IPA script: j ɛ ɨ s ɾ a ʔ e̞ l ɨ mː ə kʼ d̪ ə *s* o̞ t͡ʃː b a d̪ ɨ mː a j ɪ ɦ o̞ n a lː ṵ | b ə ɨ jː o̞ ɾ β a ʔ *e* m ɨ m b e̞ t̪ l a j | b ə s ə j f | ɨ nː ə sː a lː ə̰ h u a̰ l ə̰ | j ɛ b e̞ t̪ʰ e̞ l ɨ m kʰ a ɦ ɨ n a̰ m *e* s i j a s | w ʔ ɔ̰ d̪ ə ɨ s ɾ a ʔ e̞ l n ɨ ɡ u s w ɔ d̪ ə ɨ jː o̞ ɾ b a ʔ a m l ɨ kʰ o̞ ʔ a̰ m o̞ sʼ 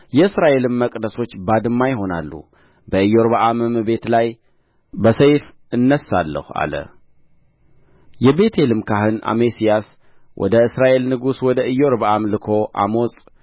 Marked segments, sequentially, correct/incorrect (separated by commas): correct, incorrect, correct